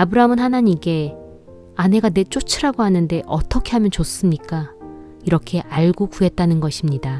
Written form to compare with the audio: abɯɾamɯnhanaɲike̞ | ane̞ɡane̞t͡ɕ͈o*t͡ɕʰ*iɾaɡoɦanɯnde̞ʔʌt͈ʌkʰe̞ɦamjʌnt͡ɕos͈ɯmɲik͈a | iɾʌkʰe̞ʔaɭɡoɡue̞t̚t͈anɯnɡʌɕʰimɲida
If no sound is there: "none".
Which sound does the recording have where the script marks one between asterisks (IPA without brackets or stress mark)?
t͡ɕʰ